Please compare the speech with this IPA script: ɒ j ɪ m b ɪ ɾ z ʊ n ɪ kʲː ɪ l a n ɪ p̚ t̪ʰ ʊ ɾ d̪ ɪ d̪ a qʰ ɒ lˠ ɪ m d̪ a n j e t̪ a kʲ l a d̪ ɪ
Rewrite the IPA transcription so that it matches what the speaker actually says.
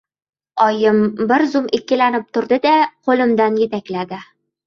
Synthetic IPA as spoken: ɒ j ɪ m b ɪ ɾ z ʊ m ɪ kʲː ɪ l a n ɪ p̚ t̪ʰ ʊ ɾ d̪ ɪ d̪ a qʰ o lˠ ɪ m d̪ a n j e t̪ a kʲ l a d̪ ɪ